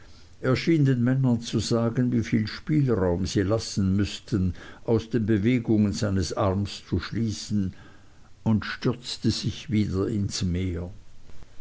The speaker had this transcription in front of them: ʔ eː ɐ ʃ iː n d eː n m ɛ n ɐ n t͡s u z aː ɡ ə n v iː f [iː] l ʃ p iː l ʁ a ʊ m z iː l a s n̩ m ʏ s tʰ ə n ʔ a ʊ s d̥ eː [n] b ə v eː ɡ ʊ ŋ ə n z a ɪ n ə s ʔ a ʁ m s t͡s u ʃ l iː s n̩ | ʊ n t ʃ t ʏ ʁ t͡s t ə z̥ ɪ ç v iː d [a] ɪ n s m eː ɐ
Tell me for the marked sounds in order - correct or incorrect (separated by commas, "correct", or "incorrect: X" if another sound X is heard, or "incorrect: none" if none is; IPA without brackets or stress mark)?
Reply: correct, correct, incorrect: ɐ